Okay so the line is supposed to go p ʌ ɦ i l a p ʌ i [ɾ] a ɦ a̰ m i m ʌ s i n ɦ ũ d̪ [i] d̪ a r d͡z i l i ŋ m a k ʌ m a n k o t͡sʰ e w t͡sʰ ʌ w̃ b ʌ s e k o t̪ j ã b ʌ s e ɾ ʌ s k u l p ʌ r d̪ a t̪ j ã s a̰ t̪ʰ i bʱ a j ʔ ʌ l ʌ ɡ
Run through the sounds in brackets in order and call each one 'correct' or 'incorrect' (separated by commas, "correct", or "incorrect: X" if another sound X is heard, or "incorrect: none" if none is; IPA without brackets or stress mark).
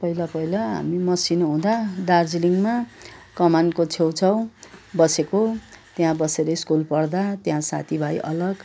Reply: incorrect: l, incorrect: a